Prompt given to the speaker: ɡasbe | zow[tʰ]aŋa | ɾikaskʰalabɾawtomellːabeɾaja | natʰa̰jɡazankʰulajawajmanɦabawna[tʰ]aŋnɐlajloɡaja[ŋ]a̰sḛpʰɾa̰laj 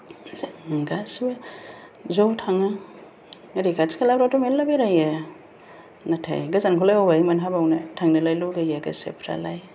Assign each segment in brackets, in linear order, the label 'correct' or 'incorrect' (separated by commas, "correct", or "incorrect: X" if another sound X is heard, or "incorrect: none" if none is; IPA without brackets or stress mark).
correct, correct, incorrect: ɡ